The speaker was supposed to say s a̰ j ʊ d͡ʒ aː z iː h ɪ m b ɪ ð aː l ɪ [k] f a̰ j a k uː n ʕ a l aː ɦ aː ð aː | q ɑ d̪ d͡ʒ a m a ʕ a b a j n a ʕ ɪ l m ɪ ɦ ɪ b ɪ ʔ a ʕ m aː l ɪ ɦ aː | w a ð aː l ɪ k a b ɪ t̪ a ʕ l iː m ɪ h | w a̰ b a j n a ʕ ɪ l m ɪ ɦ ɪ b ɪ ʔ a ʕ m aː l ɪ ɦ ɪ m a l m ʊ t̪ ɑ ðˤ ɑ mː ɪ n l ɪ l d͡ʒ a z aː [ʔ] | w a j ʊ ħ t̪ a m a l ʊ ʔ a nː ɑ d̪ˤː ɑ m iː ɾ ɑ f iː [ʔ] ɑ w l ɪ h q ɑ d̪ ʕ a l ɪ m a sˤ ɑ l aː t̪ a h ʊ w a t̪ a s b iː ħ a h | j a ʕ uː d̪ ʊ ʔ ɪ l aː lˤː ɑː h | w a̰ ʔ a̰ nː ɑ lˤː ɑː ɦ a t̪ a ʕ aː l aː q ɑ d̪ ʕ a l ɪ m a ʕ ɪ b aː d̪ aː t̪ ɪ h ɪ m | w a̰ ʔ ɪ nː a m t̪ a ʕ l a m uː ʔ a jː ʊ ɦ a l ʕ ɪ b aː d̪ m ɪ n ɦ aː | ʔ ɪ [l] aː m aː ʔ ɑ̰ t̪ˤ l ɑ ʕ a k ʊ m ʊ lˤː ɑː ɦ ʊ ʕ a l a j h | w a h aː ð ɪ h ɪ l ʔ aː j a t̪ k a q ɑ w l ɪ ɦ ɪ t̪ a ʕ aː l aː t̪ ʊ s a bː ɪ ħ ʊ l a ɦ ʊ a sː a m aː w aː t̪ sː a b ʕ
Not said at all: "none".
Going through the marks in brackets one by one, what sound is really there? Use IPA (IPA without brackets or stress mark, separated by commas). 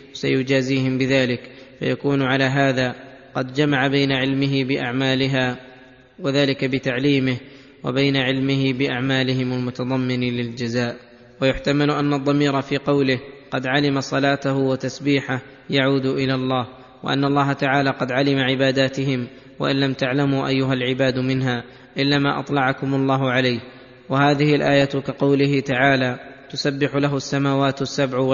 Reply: k, ʔ, q, lː